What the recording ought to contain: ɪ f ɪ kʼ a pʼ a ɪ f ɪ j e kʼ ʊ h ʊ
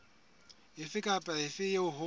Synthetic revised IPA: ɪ f ɪ kʼ a pʼ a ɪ f ɪ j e ʊ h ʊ